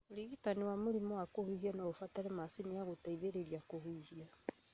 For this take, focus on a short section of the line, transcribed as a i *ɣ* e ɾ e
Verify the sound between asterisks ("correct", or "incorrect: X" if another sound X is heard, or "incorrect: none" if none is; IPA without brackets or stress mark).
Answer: incorrect: ð